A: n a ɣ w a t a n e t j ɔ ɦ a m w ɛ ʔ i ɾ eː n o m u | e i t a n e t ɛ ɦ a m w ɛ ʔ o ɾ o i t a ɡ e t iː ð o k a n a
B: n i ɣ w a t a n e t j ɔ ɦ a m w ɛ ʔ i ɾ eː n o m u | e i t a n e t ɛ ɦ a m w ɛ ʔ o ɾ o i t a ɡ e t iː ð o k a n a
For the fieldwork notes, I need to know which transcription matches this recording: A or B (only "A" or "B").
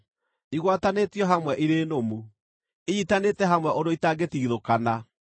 B